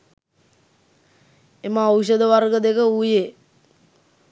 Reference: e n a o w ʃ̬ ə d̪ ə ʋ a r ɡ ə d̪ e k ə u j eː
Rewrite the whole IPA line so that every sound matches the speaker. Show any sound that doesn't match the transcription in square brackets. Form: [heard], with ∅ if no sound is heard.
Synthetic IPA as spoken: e [m] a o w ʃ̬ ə d̪ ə ʋ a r ɡ ə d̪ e k ə u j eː